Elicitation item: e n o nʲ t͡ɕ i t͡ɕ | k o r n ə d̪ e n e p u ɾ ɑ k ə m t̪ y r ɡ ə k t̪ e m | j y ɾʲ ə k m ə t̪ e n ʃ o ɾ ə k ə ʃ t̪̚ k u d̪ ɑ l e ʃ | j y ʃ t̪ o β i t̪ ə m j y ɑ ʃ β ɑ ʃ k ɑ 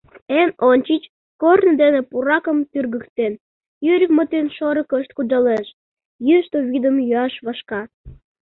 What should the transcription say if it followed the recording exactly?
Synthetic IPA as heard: e n o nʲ t͡ɕ i t͡ɕ | k o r n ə d̪ e n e p u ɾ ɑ k ə m t̪ y r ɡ ə k t̪ e n | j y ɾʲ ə k m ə t̪ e n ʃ o ɾ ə k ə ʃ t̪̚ k u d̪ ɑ l e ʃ | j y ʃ t̪ o β i d̪ ə m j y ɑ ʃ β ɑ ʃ k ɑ